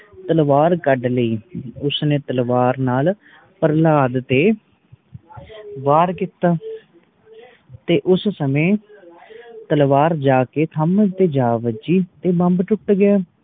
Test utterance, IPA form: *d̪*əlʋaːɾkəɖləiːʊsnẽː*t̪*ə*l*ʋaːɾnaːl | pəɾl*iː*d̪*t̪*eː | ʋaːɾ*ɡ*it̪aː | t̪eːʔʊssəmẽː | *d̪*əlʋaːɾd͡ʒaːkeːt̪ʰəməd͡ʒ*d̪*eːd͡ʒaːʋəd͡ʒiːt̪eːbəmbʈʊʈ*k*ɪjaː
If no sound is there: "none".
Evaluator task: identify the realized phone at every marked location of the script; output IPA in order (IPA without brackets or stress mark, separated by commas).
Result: t̪, t̪, l, aː, t̪, k, t̪, t̪, ɡ